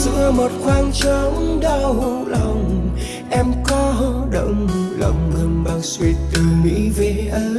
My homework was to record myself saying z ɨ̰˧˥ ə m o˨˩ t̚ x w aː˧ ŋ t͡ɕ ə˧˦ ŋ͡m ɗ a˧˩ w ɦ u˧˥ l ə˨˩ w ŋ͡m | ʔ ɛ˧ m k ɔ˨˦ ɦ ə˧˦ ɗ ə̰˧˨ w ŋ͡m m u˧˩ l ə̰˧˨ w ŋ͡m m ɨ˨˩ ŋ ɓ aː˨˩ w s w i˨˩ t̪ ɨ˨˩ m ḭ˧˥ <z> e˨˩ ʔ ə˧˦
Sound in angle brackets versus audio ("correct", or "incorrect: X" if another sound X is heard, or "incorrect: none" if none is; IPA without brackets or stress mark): incorrect: v